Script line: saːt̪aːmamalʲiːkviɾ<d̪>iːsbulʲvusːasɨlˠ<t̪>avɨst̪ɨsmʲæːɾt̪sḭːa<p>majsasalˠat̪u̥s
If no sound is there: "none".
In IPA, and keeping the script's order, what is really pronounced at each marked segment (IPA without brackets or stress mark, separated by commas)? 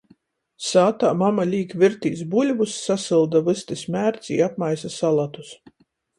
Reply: t̪, d̪, p